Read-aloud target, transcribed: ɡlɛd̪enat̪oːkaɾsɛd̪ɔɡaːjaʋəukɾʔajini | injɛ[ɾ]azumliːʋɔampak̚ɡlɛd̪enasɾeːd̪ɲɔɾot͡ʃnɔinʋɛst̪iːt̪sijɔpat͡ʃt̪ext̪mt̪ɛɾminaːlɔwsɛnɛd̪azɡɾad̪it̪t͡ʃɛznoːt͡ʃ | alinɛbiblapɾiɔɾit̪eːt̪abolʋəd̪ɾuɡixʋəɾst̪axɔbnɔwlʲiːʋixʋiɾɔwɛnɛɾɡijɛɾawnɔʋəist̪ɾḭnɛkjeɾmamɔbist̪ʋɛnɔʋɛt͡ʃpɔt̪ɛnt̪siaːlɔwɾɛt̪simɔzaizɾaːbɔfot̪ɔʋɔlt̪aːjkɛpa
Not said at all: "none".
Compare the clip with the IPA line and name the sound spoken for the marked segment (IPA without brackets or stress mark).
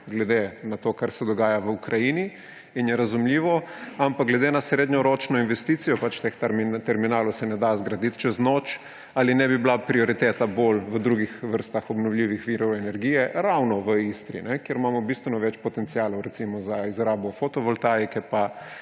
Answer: ɾ